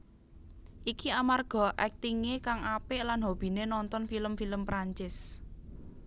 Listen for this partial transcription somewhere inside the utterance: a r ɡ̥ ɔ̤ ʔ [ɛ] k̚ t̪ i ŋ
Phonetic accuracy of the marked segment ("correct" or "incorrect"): correct